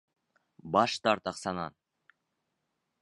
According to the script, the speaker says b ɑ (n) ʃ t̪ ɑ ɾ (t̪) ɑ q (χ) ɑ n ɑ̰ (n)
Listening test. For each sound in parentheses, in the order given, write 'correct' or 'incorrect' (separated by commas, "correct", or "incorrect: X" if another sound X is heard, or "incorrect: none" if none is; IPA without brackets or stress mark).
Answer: incorrect: none, correct, incorrect: s, correct